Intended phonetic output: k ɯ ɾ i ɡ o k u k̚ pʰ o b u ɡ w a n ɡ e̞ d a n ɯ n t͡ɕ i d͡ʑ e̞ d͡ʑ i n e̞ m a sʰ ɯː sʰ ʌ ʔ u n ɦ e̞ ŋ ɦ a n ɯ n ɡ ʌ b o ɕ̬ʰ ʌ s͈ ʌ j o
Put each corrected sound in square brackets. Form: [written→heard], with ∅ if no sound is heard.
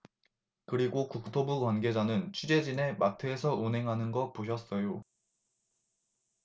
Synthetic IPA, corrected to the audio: k ɯ ɾ i ɡ o k u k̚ [pʰ→tʰ] o b u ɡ w a n ɡ e̞ [d→d͡ʑ] a n ɯ n [t͡ɕ→t͡ɕʰ] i d͡ʑ e̞ d͡ʑ i n e̞ m a [sʰ→tʰ] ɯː sʰ ʌ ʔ u n ɦ e̞ ŋ ɦ a n ɯ n ɡ ʌ [b→p] o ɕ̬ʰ ʌ s͈ ʌ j o